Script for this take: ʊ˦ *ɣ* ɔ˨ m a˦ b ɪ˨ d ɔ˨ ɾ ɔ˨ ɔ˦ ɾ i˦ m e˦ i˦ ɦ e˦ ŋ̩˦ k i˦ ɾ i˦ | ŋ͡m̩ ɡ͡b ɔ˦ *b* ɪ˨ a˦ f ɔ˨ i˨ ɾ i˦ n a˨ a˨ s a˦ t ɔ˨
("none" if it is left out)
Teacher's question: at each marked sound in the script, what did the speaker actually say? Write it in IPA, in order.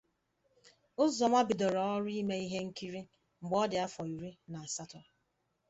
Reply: z, d

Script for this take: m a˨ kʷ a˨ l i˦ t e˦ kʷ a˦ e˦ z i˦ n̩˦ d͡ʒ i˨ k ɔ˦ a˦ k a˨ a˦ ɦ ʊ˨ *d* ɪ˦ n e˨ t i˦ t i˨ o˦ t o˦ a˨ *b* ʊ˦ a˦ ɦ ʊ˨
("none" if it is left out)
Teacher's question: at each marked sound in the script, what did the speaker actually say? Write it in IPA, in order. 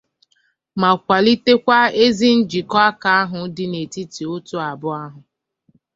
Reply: d, b

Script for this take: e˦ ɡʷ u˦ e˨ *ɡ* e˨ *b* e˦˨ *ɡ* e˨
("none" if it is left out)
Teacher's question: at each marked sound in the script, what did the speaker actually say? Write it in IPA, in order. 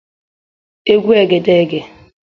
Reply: ɡ, d, ɡ

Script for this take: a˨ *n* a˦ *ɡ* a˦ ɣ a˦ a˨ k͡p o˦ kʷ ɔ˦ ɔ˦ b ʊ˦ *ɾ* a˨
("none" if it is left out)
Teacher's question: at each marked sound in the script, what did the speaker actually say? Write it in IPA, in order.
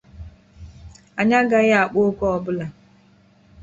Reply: ɲ, ɡ, l

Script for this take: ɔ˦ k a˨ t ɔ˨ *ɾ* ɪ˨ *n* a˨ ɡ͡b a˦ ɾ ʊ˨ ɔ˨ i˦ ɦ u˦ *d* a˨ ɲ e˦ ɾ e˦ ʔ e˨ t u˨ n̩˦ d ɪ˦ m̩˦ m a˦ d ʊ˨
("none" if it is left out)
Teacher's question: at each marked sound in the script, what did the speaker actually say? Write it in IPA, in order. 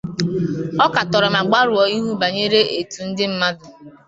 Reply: ɾ, m, b

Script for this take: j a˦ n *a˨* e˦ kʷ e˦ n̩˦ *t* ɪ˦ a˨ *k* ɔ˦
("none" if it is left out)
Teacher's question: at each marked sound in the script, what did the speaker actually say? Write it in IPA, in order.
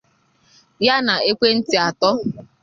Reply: a˨, t, t

